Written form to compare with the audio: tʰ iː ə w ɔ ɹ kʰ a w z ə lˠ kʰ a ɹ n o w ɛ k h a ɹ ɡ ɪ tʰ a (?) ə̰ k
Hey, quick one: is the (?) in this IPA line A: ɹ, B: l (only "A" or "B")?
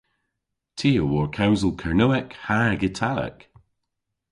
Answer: B